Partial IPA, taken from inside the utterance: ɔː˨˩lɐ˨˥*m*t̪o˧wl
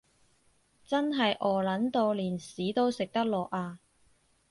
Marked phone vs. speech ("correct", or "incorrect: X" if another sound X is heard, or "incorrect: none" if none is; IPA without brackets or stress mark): incorrect: n